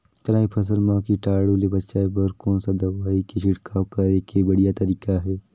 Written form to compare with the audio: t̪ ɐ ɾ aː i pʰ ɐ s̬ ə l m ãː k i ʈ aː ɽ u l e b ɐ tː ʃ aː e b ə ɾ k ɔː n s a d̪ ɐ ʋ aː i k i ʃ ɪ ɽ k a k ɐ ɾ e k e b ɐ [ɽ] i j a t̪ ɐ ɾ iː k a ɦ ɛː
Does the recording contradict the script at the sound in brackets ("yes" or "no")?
no